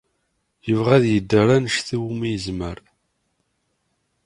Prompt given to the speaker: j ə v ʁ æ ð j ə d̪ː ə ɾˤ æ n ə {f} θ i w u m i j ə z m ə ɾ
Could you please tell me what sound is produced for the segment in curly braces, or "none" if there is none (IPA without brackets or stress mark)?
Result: ʃ